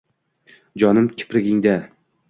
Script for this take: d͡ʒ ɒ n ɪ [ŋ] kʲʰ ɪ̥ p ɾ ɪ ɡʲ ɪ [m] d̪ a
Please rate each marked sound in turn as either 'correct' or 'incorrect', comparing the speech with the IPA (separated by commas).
incorrect, incorrect